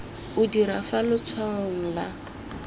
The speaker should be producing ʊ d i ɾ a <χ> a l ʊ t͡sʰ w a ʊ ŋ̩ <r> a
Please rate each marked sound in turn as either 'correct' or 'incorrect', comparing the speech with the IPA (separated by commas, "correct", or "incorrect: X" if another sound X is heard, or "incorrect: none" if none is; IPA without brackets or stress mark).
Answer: incorrect: f, incorrect: l